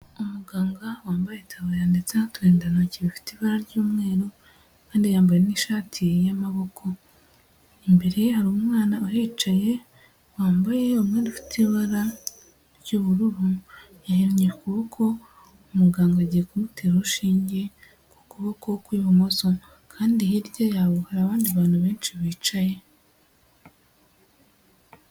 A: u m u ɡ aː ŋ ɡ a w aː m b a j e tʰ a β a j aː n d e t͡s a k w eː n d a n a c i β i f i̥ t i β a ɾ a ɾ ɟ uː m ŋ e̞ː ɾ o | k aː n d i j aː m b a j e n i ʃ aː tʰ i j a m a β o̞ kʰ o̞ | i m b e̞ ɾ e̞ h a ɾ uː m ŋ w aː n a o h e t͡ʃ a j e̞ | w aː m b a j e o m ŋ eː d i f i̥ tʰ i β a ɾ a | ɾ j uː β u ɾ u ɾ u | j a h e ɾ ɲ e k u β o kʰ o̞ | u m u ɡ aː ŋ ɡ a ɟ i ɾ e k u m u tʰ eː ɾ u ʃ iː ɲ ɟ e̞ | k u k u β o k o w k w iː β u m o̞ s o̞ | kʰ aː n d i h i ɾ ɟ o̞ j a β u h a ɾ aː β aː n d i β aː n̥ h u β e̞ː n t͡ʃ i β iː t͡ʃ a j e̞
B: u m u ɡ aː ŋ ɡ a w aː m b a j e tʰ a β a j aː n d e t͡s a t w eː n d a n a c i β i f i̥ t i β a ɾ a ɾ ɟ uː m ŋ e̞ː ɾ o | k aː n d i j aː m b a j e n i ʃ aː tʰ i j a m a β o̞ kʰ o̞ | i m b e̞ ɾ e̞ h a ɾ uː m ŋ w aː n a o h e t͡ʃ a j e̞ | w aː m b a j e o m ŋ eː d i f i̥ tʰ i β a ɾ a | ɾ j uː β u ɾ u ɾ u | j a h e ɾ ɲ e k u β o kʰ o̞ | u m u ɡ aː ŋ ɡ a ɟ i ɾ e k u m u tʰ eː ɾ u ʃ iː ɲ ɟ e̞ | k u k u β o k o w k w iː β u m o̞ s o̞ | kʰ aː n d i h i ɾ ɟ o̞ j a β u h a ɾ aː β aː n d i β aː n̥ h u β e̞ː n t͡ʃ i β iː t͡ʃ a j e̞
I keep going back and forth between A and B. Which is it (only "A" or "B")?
B